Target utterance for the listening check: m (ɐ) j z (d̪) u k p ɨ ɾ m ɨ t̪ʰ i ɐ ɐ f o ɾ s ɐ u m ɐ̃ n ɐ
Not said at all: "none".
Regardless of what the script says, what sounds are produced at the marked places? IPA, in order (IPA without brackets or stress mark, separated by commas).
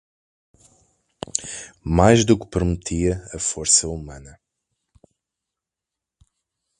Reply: a, d̪